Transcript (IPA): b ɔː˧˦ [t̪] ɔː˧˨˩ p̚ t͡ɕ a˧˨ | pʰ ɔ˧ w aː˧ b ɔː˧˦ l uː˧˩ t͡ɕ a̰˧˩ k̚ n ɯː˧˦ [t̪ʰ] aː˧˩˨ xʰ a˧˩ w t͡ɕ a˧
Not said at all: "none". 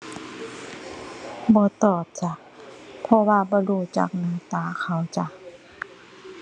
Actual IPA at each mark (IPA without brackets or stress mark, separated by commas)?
t̪, t̪